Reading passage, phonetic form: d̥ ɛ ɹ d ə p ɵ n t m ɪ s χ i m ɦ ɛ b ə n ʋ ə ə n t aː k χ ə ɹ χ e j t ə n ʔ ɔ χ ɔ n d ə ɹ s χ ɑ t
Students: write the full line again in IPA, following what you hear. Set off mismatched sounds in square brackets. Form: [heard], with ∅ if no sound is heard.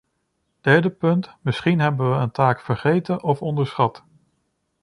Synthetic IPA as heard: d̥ ɛ ɹ d ə p ɵ n t m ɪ s χ i [n] ɦ ɛ b ə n ʋ ə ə n t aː k [f] ə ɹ χ e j t ə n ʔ ɔ [f] ɔ n d ə ɹ s χ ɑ t

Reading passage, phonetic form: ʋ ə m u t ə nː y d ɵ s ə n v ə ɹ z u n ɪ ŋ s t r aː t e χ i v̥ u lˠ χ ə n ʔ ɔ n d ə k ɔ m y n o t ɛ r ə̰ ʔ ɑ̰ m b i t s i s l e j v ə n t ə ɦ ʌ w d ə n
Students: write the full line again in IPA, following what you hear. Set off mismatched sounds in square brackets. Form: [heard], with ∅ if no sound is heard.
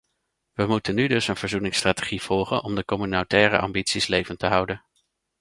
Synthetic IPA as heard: ʋ ə m u t ə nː y d ɵ s ə n v ə ɹ z u n ɪ ŋ s t r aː t e χ i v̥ [ɔ] lˠ χ ə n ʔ ɔ [m] d ə k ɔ m y n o t [ɛː] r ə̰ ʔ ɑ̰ m b i t s i s l e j v ə n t ə ɦ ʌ w d ə n

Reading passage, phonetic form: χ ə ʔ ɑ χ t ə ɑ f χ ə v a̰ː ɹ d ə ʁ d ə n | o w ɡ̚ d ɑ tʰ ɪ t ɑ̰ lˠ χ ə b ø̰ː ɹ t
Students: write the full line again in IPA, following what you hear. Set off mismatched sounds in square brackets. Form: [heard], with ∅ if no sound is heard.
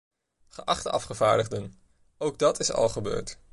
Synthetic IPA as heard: χ ə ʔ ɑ χ t ə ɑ f χ ə v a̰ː ɹ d ə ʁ d ə n | o w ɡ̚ d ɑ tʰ ɪ [s] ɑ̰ lˠ χ ə b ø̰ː ɹ t

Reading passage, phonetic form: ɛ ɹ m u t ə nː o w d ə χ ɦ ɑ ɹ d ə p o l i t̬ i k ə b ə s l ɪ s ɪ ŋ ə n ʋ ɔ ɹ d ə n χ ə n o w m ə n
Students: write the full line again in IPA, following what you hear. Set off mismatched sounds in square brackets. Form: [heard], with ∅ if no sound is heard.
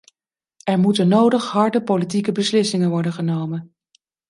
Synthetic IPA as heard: ɛ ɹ m u t ə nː o w d ə χ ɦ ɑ ɹ d ə p o l i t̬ i k ə b ə s l ɪ s ɪ ŋ ə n ʋ ɔ ɹ d ə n χ ə n o w m ə n

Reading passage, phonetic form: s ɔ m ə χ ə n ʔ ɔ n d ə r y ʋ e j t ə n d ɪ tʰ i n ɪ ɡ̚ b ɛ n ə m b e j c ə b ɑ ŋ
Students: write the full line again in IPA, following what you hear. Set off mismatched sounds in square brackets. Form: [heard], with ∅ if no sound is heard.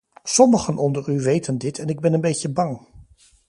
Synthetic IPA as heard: s ɔ m ə χ ə n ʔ ɔ n d ə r y ʋ e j t ə n d ɪ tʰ [ɛ] n ɪ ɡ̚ b ɛ n ə [n] b e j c ə b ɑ ŋ

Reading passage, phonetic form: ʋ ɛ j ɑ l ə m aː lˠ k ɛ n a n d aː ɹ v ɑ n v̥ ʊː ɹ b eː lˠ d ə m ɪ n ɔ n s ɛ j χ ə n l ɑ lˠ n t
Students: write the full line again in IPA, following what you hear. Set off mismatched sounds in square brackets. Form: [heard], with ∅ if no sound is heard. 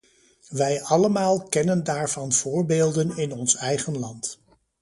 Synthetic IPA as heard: ʋ ɛ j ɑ l ə m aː lˠ k ɛ n [ə] n d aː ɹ v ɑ n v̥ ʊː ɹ b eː lˠ d ə [n] ɪ n ɔ n s ɛ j χ ə n l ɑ [∅] n t

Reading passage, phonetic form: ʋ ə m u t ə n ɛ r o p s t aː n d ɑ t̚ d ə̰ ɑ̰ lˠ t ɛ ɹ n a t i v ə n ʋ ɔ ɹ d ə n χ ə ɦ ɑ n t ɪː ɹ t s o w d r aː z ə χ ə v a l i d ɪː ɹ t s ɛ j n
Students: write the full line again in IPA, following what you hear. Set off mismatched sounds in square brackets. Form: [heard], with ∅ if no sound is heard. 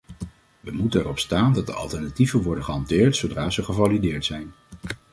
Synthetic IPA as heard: ʋ ə m u t ə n ɛ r [ɔ] p s t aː n d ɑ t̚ d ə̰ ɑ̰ lˠ t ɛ ɹ n a t i v ə n ʋ ɔ ɹ d ə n χ ə ɦ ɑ n t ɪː ɹ t s o w d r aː z ə χ ə v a l i d ɪː ɹ t s ɛ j n

